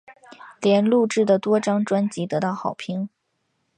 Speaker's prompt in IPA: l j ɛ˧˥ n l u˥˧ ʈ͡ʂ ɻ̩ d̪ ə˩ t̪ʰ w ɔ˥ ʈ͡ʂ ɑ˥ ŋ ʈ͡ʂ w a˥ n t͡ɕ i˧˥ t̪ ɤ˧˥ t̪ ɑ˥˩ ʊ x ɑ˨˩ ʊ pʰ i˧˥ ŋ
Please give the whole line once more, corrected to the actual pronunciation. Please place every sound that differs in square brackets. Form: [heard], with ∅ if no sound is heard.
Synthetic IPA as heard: l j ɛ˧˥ n l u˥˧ ʈ͡ʂ ɻ̩ d̪ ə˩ [t̪] w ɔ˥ ʈ͡ʂ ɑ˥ ŋ ʈ͡ʂ w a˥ n t͡ɕ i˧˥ t̪ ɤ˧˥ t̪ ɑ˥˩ ʊ x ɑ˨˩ ʊ pʰ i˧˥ ŋ